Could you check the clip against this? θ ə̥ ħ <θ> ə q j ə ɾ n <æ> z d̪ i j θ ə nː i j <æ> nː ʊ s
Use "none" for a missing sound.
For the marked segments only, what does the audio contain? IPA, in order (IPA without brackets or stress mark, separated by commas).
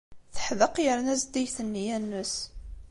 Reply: ð, æ, æ